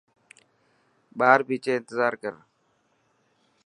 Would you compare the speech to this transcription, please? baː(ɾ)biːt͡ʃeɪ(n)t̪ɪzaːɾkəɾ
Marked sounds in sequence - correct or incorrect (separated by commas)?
correct, correct